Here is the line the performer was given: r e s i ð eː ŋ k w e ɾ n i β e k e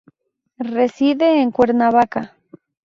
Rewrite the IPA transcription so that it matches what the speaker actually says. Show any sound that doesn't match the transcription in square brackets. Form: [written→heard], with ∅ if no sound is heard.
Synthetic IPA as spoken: r e s i ð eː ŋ k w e ɾ n [i→a] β [e→a] k [e→a]